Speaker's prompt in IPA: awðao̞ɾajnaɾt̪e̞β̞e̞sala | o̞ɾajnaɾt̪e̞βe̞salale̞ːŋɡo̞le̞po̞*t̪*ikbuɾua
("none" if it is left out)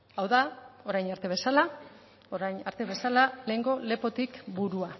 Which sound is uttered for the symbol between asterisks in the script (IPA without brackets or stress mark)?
t̪